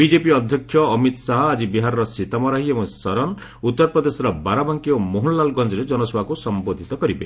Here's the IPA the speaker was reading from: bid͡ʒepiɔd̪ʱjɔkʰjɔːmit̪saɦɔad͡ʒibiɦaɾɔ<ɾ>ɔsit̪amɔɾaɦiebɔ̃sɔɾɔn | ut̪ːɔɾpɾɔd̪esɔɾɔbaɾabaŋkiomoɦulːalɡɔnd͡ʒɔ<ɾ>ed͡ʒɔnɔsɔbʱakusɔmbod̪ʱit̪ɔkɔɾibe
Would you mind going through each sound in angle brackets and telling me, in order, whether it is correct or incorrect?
correct, correct

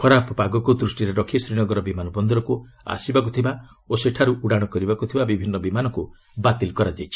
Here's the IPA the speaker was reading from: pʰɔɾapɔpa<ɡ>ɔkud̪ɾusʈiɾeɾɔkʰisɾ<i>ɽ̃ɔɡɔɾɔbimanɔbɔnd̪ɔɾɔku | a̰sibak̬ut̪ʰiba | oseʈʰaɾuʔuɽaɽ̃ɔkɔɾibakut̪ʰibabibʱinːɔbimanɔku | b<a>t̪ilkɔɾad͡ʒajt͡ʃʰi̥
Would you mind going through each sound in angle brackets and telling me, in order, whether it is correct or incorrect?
correct, correct, correct

